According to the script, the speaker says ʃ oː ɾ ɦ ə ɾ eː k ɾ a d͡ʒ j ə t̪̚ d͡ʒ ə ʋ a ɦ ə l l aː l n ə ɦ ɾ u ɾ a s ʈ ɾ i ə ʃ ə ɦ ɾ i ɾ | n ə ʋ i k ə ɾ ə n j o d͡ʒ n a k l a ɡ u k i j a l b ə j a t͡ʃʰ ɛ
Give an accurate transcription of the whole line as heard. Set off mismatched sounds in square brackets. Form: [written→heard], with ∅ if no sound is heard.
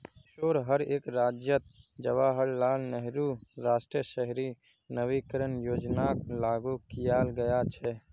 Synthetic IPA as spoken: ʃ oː ɾ ɦ ə ɾ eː k ɾ a d͡ʒ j ə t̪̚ d͡ʒ ə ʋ a ɦ ə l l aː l n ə ɦ ɾ u ɾ a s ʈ ɾ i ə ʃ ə ɦ ɾ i [ɾ→∅] | n ə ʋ i k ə ɾ ə n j o d͡ʒ n a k l a ɡ u k i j a l [b→ɡ] ə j a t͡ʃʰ ɛ